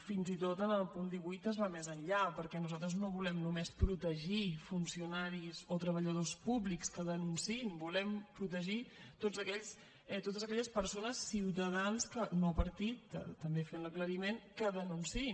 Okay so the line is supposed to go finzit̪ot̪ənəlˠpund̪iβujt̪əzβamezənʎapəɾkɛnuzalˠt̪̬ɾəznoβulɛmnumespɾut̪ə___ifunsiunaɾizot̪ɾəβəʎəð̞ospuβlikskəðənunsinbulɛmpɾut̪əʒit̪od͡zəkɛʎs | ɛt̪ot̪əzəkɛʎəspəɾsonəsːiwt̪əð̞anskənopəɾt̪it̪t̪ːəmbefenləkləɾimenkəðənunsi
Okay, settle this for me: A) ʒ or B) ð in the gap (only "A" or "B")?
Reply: A